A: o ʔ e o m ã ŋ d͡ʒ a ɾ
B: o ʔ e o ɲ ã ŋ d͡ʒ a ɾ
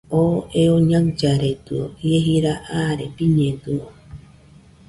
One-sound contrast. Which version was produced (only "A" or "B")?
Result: B